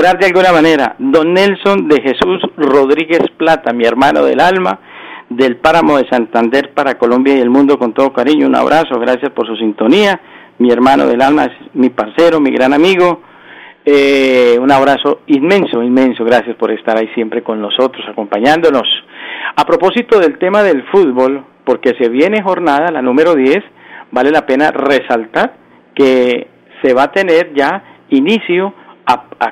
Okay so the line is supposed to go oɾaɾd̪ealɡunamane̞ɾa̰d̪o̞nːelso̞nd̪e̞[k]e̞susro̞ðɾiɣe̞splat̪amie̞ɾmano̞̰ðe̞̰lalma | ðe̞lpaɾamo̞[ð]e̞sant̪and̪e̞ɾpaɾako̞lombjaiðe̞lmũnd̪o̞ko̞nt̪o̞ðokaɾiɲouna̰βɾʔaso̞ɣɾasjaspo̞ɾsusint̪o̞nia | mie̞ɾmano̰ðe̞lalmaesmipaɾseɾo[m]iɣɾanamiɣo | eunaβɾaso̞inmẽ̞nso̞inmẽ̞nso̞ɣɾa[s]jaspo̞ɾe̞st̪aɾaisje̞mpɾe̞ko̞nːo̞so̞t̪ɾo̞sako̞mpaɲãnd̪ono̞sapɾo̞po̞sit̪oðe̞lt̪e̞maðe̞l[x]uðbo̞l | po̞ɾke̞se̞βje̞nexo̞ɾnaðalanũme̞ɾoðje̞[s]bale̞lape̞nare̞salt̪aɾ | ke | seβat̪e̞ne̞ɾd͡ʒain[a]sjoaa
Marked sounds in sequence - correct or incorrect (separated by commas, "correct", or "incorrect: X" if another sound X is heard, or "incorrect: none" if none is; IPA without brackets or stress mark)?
incorrect: x, correct, correct, correct, incorrect: f, correct, incorrect: i